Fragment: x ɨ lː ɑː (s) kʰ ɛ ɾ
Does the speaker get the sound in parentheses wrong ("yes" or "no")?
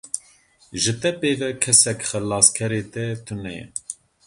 no